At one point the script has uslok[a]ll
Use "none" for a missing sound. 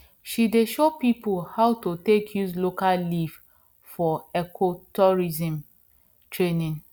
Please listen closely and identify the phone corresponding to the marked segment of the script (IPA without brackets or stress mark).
a